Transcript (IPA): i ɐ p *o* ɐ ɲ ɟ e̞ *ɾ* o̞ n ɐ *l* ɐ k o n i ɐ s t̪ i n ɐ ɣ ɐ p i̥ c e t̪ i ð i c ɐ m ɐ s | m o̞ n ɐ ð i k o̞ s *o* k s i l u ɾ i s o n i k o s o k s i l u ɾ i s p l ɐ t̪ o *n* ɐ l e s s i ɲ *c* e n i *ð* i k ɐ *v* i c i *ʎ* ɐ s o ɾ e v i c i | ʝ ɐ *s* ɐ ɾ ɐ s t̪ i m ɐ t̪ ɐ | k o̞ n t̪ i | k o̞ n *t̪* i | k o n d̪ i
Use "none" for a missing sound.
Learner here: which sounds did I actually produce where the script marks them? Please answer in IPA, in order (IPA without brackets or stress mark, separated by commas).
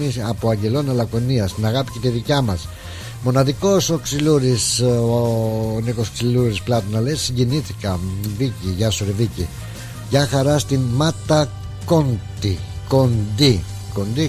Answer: o, l, l, o, n, ɟ, θ, v, ʝ, x, d̪